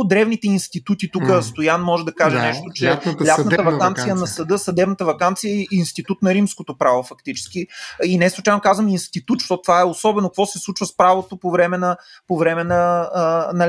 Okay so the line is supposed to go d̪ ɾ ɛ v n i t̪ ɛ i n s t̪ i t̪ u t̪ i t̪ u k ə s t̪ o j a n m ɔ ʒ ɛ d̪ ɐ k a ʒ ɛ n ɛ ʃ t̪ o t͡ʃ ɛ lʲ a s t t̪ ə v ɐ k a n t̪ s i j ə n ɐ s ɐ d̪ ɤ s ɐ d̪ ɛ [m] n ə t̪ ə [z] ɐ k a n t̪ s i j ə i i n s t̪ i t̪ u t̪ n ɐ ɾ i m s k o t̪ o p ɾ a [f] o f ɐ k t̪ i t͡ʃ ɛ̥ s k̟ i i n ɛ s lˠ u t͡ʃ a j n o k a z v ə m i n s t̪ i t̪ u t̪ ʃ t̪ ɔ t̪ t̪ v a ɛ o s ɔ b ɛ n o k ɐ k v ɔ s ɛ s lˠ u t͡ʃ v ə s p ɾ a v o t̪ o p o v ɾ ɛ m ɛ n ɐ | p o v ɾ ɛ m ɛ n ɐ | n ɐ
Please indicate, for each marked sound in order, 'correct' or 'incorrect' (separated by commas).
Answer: incorrect, incorrect, incorrect